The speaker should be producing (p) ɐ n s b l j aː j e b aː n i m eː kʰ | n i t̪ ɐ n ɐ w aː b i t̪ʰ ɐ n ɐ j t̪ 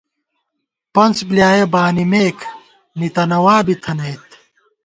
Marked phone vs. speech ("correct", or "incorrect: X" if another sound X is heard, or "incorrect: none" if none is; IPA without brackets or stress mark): correct